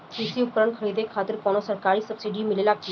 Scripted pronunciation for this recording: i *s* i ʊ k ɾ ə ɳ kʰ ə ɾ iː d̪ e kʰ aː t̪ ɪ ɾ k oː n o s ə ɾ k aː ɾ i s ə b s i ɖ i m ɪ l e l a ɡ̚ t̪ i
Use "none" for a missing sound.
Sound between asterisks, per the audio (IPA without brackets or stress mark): s